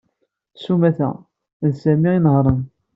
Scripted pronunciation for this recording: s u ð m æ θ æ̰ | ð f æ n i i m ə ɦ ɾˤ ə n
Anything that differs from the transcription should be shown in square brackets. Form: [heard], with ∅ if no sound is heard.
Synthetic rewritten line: s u [∅] m æ θ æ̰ | ð [s] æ [m] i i [n] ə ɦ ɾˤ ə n